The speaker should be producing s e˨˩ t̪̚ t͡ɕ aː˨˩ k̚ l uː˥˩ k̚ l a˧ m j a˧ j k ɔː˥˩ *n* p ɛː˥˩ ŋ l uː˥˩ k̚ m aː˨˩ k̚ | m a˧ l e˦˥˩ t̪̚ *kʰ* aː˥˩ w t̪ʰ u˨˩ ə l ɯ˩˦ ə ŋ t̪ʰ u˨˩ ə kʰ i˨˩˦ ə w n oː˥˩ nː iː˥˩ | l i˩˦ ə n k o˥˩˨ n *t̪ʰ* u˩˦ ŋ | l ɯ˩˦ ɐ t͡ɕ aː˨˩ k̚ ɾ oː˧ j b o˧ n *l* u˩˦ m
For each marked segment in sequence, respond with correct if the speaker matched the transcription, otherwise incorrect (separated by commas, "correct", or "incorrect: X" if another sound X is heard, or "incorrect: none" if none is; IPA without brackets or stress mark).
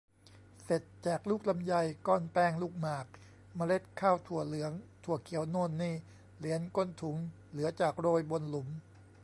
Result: correct, correct, correct, correct